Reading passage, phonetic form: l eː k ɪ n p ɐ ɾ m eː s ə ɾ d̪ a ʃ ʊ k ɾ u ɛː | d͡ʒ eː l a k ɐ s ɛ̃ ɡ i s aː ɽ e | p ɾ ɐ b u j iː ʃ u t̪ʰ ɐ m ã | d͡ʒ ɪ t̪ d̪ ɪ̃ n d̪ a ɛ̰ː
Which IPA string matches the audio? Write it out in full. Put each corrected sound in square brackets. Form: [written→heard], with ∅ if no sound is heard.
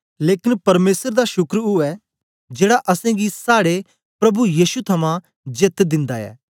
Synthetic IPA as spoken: l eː k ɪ n p ɐ ɾ m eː s ə ɾ d̪ a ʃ ʊ k ɾ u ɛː | d͡ʒ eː [l→ɽ] a [k→ʔ] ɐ s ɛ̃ ɡ i s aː ɽ e | p ɾ ɐ b u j iː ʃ u t̪ʰ ɐ m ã | d͡ʒ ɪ t̪ d̪ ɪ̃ n d̪ a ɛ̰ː